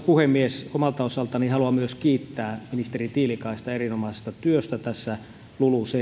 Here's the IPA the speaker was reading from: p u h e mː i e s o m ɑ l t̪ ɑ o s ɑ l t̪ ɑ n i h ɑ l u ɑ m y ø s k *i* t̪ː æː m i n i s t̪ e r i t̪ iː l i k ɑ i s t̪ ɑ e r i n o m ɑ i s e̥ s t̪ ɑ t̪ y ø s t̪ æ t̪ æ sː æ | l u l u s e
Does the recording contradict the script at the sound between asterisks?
yes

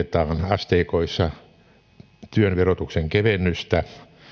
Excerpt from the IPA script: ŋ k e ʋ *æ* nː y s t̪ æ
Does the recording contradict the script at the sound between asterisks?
yes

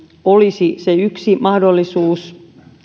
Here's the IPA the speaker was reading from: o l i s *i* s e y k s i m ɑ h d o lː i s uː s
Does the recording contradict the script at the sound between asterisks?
no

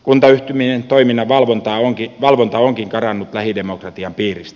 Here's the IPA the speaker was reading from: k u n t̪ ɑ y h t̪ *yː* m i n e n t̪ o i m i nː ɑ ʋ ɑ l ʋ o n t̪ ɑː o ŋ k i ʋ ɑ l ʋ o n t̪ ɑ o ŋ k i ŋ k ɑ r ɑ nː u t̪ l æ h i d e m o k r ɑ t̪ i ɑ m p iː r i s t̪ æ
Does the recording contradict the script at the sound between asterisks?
yes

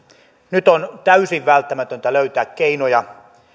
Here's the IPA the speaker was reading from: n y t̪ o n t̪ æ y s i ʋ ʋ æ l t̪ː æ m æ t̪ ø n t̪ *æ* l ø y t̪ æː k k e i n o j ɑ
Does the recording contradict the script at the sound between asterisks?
no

